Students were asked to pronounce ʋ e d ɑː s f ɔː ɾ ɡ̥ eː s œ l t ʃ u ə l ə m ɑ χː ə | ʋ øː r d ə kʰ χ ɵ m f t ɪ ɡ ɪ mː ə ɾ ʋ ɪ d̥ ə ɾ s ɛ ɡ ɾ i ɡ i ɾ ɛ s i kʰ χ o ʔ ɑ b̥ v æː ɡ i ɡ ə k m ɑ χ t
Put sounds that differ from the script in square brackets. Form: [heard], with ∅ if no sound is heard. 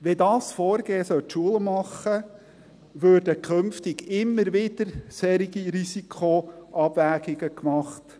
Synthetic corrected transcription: ʋ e d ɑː s f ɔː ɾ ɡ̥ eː s œ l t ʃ u ə l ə m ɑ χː ə | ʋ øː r d ə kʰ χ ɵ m f t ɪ ɡ ɪ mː ə ɾ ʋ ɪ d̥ ə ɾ s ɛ [∅] ɾ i ɡ i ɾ [i] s i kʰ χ o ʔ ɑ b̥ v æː ɡ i ɡ ə k m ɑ χ t